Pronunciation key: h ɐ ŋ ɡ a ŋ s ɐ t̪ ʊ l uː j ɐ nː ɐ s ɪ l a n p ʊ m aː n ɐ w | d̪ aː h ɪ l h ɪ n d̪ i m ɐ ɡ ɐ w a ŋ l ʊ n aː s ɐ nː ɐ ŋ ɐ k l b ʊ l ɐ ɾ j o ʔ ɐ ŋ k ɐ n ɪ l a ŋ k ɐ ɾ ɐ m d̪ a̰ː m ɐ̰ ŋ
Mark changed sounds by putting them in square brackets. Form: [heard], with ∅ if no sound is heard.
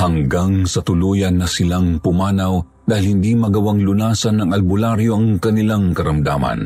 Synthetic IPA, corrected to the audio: h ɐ ŋ ɡ a ŋ s ɐ t̪ ʊ l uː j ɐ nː ɐ s ɪ l a [ŋ] p ʊ m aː n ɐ w | d̪ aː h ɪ l h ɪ n d̪ i m ɐ ɡ ɐ w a ŋ l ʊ n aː s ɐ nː ɐ ŋ ɐ [∅] l b ʊ l [a] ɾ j o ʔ ɐ ŋ k ɐ n ɪ l a ŋ k ɐ ɾ ɐ m d̪ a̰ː m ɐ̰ [n]